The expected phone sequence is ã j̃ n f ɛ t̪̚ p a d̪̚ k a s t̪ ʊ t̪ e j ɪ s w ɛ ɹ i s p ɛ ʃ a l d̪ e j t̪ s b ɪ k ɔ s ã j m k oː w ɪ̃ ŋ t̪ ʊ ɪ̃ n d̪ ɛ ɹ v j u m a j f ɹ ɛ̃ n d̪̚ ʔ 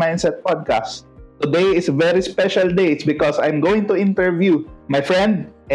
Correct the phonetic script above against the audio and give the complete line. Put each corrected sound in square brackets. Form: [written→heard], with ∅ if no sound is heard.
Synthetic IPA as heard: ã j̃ n [f→s] ɛ t̪̚ p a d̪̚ k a s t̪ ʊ [t̪→d̪] e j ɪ s [w→v] ɛ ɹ i s p ɛ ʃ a l d̪ e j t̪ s b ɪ k ɔ s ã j m [k→ɡ] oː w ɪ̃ ŋ t̪ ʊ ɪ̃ n [d̪→t̪] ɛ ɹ v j u m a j f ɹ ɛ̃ n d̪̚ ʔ